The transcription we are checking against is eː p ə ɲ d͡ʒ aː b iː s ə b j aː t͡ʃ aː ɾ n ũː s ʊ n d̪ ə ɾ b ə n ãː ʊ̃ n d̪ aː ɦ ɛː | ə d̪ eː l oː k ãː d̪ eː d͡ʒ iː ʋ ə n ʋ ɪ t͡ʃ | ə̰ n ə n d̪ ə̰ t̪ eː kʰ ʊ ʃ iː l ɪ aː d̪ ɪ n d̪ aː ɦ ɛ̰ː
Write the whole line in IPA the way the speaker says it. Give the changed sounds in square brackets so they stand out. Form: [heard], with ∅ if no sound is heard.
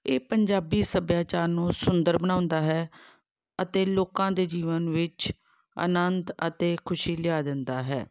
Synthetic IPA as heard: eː p ə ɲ d͡ʒ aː b iː s ə b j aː t͡ʃ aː ɾ n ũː s ʊ n d̪ ə ɾ b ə n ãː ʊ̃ n d̪ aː ɦ ɛː | ə [t̪] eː l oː k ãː d̪ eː d͡ʒ iː ʋ ə n ʋ ɪ t͡ʃ | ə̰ n ə n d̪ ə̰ t̪ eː kʰ ʊ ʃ iː l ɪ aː d̪ ɪ n d̪ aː ɦ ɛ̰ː